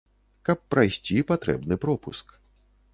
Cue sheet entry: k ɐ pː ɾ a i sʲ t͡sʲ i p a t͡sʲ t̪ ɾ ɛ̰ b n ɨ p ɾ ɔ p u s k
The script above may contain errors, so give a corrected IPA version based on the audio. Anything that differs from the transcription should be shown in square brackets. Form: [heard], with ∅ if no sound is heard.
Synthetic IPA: k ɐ pː ɾ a [j] sʲ t͡sʲ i p a [∅] t̪ ɾ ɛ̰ b n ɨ p ɾ ɔ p u s k